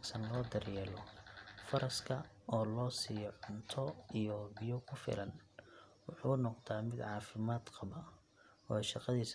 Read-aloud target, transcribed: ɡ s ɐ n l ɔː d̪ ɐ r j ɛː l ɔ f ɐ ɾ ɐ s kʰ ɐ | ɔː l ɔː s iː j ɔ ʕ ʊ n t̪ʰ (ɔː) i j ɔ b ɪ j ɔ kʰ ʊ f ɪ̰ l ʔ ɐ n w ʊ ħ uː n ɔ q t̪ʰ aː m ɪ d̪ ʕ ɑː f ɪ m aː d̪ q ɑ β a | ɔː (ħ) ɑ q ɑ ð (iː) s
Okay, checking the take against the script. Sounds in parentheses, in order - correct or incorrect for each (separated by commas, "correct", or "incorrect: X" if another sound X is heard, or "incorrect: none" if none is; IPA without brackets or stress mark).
incorrect: ɔ, incorrect: ʃ, correct